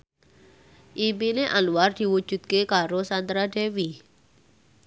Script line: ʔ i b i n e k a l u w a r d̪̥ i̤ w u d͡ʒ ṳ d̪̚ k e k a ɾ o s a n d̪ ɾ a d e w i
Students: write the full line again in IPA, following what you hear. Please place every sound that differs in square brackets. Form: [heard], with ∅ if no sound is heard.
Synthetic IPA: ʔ i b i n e [ʔ] a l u w a r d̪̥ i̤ w u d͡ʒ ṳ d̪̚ k e k a ɾ o s a n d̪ ɾ a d e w i